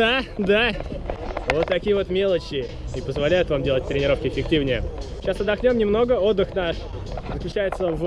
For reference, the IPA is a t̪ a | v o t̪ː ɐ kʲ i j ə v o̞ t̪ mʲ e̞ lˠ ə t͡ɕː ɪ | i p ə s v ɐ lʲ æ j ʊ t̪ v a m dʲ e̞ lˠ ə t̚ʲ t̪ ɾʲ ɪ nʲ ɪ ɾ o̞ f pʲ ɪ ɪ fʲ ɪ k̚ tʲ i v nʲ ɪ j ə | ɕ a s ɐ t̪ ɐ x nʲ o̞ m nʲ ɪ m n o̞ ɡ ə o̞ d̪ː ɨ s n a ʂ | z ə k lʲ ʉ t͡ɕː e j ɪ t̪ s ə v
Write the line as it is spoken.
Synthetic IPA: a d̪ a | v o t̪ː ɐ kʲ i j ə v o̞ t̪ mʲ e̞ lˠ ə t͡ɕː ɪ | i p ə z v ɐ lʲ æ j ʊ t̪ v a m dʲ e̞ lˠ ə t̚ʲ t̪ ɾʲ ɪ nʲ ɪ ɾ o̞ f kʲ ɪ ɪ fʲ ɪ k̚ tʲ i v nʲ ɪ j ə | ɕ a s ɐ d̪ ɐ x nʲ o̞ m nʲ ɪ m n o̞ ɡ ə o̞ d̪ː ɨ x n a ʂ | z ə k lʲ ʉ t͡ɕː æ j ɪ t̪ s ə v